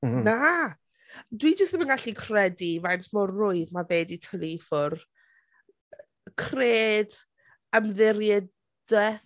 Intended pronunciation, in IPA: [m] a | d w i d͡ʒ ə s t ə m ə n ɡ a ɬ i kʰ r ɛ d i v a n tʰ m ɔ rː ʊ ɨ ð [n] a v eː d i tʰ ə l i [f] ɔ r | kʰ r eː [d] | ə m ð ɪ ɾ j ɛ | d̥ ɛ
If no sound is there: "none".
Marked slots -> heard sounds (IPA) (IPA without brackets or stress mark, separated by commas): n, m, f, d